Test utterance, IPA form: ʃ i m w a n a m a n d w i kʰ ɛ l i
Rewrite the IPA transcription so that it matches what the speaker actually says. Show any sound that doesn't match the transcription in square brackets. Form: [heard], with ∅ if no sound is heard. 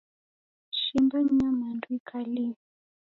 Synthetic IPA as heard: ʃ i m [b] a [ɲ] a m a n d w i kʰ [a] l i